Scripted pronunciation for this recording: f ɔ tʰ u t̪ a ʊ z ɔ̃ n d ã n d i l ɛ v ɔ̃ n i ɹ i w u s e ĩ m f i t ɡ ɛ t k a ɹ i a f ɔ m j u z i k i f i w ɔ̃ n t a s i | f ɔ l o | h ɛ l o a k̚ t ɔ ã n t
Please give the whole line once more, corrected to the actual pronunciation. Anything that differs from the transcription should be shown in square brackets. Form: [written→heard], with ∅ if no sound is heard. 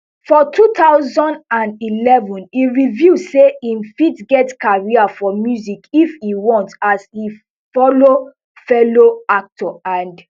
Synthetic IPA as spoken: f ɔ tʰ u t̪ a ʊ z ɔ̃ n d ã n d i l ɛ v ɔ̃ n i ɹ i [w→v] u s e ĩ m f i t ɡ ɛ t k a ɹ i a f ɔ m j u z i k i f i w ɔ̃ n t a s i | f ɔ l o | [h→f] ɛ l o a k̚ t ɔ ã n [t→d]